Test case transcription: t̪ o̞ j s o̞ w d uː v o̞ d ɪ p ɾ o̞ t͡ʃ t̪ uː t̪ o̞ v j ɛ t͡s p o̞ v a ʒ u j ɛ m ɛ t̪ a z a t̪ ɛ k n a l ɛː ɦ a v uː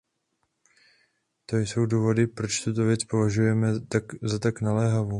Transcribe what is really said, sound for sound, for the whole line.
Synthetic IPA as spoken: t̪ o̞ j s o̞ w d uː v o̞ d ɪ p ɾ o̞ t͡ʃ t̪ u t̪ o̞ v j ɛ t͡s p o̞ v a ʒ u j ɛ m ɛ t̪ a z a t̪ a k n a l ɛː ɦ a v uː